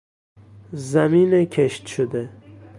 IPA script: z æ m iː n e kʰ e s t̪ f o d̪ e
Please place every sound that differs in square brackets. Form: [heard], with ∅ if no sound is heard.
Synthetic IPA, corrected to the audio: z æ m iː n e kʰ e [ʃ] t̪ [ʃ] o d̪ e